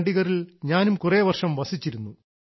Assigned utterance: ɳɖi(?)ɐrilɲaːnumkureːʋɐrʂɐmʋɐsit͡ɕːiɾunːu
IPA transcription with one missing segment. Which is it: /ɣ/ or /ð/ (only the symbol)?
ɣ